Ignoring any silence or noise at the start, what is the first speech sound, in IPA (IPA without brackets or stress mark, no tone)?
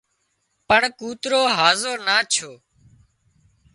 p